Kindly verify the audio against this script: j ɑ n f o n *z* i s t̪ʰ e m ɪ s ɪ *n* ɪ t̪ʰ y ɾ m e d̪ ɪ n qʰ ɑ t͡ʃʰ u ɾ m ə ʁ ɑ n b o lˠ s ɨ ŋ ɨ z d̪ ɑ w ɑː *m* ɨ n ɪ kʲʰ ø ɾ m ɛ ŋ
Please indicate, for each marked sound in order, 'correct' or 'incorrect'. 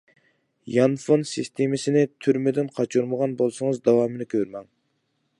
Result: incorrect, correct, correct

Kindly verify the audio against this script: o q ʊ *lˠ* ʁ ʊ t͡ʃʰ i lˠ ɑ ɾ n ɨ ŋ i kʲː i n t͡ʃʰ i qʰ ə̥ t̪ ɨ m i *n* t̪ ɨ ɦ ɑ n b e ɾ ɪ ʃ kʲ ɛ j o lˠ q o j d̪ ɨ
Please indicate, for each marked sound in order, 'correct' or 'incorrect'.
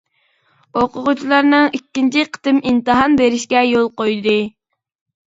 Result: incorrect, correct

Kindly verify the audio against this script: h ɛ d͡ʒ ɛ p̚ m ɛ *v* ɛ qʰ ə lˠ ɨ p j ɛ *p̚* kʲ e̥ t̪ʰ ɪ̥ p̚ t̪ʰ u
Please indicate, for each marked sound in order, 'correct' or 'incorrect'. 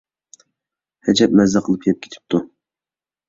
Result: incorrect, correct

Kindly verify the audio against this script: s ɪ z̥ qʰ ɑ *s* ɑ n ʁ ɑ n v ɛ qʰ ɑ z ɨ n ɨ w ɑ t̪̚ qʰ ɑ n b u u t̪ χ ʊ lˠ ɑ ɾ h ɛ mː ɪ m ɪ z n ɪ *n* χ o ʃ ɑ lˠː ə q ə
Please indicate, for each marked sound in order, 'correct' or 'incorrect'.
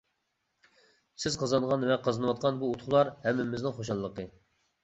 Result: incorrect, incorrect

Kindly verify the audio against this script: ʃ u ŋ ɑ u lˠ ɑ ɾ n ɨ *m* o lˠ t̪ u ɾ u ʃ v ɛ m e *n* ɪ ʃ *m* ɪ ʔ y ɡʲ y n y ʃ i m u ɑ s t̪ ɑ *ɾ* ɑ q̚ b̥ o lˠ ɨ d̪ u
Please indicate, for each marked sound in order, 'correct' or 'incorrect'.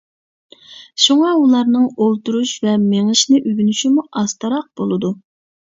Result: incorrect, incorrect, incorrect, correct

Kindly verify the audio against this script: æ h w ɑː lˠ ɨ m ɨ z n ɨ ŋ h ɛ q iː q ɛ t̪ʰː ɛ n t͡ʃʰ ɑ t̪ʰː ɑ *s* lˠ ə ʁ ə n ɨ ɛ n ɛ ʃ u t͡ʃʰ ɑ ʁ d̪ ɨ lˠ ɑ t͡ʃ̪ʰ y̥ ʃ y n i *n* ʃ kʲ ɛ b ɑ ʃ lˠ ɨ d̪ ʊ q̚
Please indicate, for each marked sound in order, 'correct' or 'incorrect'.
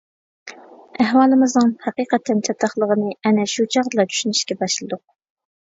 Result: incorrect, incorrect

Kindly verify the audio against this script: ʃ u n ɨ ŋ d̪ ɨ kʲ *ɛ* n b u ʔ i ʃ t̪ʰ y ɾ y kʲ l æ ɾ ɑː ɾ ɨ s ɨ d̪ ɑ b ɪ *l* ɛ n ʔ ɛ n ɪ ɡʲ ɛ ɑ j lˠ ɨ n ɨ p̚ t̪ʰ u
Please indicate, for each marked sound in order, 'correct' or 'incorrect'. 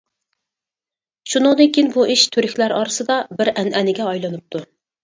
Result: incorrect, incorrect

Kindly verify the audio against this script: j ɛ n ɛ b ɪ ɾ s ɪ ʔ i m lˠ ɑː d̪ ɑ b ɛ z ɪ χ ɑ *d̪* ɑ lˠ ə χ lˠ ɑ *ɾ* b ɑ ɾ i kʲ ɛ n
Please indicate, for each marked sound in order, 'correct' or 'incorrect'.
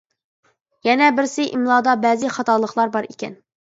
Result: incorrect, correct

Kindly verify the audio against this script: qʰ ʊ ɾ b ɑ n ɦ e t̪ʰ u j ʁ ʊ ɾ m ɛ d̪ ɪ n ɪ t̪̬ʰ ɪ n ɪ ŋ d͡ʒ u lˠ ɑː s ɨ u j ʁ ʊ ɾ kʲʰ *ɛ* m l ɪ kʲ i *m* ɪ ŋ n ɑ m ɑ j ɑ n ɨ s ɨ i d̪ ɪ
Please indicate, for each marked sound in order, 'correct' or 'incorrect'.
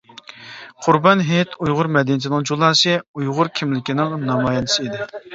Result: incorrect, incorrect

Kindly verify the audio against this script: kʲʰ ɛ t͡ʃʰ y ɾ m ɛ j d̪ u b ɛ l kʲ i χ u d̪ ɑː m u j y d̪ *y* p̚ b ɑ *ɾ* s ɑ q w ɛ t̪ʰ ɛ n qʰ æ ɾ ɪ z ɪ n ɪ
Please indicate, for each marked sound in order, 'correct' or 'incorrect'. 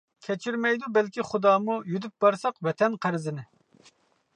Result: correct, correct

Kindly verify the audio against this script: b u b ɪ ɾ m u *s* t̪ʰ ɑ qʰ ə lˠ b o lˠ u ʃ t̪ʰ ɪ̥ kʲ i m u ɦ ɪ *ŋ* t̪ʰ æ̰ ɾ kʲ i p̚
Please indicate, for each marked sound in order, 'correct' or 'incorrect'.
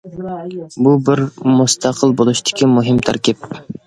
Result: correct, incorrect

